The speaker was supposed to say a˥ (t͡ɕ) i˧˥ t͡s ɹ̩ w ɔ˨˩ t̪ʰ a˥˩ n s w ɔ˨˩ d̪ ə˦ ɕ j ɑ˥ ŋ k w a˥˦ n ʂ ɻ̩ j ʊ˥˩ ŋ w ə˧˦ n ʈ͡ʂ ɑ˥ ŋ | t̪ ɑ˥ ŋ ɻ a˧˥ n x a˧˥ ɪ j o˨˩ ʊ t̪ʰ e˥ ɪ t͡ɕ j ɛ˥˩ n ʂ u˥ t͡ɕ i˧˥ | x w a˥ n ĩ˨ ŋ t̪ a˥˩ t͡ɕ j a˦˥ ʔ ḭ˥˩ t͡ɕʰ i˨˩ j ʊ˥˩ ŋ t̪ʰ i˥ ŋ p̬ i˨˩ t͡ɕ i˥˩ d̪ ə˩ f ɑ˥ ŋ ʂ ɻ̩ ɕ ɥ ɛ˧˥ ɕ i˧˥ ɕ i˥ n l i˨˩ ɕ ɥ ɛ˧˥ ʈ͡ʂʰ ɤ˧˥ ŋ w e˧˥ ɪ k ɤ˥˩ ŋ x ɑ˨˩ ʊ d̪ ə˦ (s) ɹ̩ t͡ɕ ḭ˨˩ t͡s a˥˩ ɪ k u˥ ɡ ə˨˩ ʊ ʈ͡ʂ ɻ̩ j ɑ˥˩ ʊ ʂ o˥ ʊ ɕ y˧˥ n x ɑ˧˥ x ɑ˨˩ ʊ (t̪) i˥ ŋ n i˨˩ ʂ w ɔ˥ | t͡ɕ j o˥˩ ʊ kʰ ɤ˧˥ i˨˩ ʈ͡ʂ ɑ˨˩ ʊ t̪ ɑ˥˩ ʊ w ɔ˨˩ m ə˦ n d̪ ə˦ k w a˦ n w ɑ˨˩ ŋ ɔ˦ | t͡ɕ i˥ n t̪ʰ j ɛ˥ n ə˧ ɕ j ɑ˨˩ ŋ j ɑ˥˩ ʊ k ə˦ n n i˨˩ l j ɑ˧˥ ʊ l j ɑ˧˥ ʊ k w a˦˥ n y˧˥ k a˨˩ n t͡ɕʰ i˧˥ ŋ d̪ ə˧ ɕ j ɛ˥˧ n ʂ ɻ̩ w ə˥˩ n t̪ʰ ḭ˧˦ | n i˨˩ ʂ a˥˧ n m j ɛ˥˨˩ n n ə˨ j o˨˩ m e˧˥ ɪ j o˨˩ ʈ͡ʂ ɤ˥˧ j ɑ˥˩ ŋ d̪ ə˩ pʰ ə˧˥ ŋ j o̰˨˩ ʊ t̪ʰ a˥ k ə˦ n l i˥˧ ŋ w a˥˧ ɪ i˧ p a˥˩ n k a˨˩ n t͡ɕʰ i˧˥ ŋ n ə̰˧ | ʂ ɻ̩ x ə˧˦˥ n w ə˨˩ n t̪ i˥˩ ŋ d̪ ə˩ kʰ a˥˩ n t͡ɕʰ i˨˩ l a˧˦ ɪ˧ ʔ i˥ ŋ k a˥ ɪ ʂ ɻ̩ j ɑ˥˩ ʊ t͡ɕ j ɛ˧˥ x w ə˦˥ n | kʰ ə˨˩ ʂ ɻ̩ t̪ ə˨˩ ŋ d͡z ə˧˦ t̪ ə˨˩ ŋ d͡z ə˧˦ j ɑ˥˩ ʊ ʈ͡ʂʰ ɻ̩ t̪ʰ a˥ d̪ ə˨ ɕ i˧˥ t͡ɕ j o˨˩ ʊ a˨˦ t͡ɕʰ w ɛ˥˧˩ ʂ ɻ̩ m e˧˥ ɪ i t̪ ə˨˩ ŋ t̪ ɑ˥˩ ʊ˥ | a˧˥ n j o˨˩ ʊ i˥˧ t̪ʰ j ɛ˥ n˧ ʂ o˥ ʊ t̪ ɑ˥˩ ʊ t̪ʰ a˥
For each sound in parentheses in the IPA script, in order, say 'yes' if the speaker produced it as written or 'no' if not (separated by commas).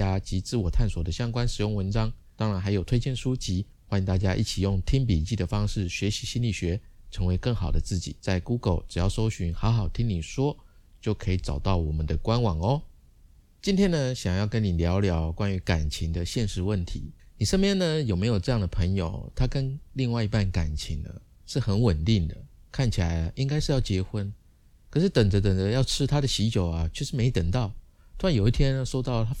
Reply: yes, no, no